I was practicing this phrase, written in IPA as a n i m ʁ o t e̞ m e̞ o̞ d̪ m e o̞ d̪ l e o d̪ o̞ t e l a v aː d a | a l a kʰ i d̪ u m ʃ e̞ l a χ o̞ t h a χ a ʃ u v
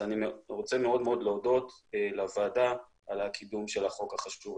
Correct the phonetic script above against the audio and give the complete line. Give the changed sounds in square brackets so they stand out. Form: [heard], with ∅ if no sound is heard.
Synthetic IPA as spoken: a n i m ʁ o [t͡s] e̞ m e̞ o̞ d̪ m e o̞ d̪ l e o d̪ o̞ t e l a v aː d a | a l a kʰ i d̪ u m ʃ e̞ l a χ o̞ [k] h a χ a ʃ u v